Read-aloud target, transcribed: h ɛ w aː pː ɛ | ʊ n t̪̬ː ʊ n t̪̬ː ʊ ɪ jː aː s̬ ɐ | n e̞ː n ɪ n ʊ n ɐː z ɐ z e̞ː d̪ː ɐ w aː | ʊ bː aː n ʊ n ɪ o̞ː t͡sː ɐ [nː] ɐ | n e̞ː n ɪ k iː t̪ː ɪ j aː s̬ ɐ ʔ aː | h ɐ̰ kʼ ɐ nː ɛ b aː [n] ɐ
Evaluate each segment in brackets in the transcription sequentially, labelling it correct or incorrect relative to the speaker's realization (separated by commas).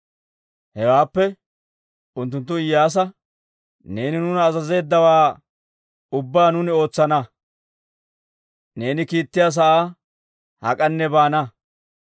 incorrect, correct